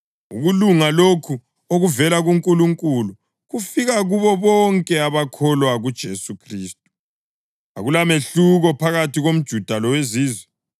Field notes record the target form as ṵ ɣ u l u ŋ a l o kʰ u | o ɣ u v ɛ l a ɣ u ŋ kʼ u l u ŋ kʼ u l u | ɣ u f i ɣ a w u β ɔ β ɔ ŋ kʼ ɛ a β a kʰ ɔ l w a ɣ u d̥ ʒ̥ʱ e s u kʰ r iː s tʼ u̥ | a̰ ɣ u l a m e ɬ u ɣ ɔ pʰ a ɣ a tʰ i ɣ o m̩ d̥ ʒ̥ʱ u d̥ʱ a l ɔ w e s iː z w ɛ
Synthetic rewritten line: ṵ ɣ u l u ŋ a l o kʰ u | o ɣ u v ɛ l a ɣ u ŋ kʼ u l u ŋ kʼ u l u | ɣ u f i ɣ a ɣ u β ɔ β ɔ ŋ kʼ ɛ a β a kʰ ɔ l w a ɣ u d̥ ʒ̥ʱ e s u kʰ r iː s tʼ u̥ | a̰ ɣ u l a m e ɬ u ɣ ɔ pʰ a ɣ a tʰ i ɣ o m̩ d̥ ʒ̥ʱ u d̥ʱ a l ɔ w e z iː z w ɛ